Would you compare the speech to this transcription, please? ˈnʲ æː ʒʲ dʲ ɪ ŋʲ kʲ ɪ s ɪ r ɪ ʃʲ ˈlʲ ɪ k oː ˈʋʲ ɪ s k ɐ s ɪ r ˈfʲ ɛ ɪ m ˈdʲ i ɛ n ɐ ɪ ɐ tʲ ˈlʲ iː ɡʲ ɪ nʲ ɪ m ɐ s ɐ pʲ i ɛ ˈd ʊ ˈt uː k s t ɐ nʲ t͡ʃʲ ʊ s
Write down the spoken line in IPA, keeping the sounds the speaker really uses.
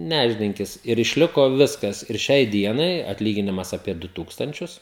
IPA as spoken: ˈnʲ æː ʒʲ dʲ ɪ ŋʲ kʲ ɪ s ɪ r ɪ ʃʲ ˈlʲ ɪ k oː ˈʋʲ ɪ s k ɐ s ɪ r ˈʃʲ ɛ ɪ ˈdʲ i ɛ n ɐ ɪ ɐ tʲ ˈlʲ iː ɡʲ ɪ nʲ ɪ m ɐ s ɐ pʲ i ɛ ˈd ʊ ˈt uː k s t ɐ nʲ t͡ʃʲ ʊ s